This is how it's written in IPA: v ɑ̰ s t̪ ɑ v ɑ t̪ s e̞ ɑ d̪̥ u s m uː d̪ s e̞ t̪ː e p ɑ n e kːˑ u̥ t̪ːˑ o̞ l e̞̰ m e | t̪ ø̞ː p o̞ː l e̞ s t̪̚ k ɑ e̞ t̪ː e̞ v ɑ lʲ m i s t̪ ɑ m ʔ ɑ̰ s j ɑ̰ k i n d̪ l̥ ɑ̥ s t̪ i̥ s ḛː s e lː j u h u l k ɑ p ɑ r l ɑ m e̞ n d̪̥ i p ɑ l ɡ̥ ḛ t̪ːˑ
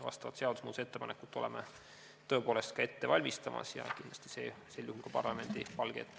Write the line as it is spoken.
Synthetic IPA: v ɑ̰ s t̪ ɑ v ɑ t̪ s e̞ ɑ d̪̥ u s m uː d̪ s e̞ t̪ː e p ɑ n e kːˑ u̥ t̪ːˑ o̞ l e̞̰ m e | t̪ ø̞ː p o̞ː l e̞ s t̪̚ k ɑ e̞ t̪ː e̞ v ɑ lʲ m i s t̪ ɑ m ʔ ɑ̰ s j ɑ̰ k i n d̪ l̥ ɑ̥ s t̪ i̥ s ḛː s e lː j u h u l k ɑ p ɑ r l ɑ m e̞ n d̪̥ i p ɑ l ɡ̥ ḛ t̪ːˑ